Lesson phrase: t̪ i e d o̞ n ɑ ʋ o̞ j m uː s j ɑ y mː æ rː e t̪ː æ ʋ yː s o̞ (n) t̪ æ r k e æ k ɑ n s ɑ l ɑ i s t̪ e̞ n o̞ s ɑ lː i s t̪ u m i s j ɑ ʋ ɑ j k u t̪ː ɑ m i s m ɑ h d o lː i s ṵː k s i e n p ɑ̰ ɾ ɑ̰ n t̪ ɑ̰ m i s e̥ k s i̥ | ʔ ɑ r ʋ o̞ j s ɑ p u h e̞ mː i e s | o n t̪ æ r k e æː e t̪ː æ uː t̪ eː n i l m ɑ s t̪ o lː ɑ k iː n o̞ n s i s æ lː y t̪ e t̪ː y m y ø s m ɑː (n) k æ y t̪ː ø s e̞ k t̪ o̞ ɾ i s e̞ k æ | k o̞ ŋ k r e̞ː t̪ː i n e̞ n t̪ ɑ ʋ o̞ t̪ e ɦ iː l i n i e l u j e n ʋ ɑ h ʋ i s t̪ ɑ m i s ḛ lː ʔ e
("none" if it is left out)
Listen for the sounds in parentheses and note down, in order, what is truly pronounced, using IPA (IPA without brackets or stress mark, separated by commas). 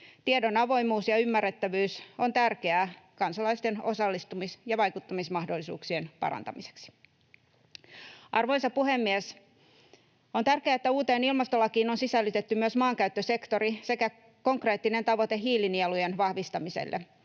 n, ŋ